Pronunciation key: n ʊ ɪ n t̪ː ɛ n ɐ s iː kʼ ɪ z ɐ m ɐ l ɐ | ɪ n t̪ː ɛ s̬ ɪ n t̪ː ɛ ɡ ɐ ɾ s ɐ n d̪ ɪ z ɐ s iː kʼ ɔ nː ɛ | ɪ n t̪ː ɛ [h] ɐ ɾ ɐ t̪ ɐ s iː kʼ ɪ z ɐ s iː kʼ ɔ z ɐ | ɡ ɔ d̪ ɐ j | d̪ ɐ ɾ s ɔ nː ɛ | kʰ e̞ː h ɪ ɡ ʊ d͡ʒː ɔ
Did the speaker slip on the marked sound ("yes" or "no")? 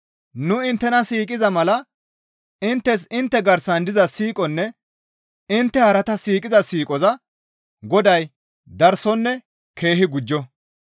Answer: no